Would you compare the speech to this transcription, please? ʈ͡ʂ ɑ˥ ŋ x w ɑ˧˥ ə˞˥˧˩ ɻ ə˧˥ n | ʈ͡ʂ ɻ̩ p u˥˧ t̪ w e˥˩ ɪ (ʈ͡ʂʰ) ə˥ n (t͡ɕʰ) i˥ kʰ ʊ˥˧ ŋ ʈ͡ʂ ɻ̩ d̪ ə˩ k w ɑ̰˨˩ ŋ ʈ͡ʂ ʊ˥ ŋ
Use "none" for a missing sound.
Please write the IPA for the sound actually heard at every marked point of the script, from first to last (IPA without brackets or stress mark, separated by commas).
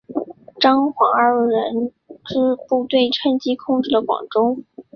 ʈ͡ʂʰ, t͡ɕ